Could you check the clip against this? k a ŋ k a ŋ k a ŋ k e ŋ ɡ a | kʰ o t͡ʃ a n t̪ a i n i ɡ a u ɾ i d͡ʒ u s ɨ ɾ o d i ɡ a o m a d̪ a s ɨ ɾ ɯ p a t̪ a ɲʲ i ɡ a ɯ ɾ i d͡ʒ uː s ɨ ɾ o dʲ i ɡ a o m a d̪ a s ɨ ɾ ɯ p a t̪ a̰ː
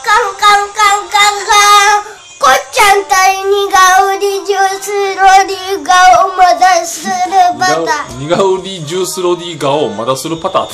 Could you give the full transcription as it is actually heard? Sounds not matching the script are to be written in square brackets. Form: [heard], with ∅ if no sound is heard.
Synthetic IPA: k a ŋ k a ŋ k a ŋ k [a] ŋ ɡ a | [k] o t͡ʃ a n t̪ a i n i ɡ a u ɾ i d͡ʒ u s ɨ ɾ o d i ɡ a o m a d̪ a s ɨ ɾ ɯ p a t̪ a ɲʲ i ɡ a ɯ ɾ i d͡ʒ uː s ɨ ɾ o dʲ i ɡ a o m a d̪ a s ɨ ɾ ɯ p a t̪ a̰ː

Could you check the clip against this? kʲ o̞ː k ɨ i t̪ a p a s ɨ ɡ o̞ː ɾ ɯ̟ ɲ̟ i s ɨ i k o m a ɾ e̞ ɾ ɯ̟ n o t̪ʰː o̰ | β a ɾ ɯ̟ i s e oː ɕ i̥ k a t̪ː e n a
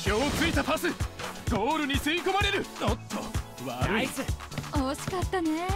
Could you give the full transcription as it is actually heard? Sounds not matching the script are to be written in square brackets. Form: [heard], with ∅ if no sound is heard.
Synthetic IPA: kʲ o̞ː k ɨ i t̪ a p a s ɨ ɡ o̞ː ɾ ɯ̟ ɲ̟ i s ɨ i k o m a ɾ e̞ ɾ ɯ̟ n o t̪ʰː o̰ | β a ɾ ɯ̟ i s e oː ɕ i̥ k a t̪ː [a] n [e]

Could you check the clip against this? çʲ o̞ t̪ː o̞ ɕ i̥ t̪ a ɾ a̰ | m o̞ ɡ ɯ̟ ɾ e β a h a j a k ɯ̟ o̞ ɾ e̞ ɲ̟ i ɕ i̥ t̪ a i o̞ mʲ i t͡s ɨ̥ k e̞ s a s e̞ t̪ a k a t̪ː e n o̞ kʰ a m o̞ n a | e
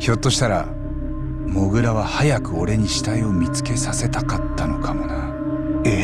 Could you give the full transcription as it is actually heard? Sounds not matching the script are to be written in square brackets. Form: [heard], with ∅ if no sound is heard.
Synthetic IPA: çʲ o̞ t̪ː o̞ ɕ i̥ t̪ a ɾ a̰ | m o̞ ɡ ɯ̟ ɾ [a] β a h a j a k ɯ̟ o̞ ɾ e̞ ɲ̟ i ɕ i̥ t̪ a i o̞ mʲ i t͡s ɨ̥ k e̞ s a s e̞ t̪ a k a t̪ː [a] n o̞ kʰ a m o̞ n a | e

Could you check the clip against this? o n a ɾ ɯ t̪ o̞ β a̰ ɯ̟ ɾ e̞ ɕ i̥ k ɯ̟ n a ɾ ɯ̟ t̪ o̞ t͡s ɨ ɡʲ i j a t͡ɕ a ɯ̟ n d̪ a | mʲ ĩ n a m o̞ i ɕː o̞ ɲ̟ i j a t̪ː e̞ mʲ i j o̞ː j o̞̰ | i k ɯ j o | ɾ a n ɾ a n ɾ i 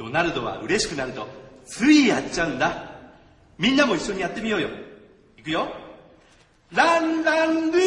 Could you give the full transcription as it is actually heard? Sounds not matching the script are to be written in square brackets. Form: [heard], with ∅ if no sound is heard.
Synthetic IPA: o n a ɾ ɯ [d̪] o̞ β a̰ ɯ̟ ɾ e̞ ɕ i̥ k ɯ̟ n a ɾ ɯ̟ t̪ o̞ t͡s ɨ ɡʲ i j a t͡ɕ a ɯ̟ n d̪ a | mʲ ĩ [nː] a m o̞ i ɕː o̞ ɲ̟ i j a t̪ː e̞ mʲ i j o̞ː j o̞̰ | i k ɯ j o | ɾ a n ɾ a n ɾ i

